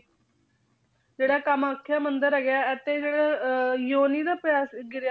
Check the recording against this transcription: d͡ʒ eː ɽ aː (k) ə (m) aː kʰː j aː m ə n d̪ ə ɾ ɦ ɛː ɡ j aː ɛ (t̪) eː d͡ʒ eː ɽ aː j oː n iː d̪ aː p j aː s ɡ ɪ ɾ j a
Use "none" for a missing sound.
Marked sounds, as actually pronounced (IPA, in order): k, m, t̪

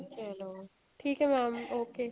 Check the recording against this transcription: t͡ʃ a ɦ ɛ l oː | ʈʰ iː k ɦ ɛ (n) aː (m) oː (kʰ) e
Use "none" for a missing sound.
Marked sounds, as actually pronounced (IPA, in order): m, m, k

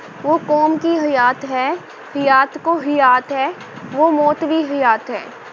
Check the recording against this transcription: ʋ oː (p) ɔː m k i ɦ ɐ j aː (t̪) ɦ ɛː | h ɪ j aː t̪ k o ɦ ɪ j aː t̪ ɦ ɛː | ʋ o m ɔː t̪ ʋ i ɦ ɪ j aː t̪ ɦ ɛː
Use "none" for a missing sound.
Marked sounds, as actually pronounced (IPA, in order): k, t̪

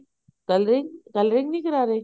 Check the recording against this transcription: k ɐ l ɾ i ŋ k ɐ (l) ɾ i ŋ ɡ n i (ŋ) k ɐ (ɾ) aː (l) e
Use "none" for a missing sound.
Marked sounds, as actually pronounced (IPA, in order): l, none, ɾ, ɾ

